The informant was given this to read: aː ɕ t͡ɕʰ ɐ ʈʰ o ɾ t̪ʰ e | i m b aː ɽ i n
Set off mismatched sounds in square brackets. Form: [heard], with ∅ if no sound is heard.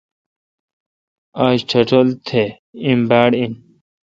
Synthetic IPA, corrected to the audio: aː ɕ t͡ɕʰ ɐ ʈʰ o [l] t̪ʰ e | i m b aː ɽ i n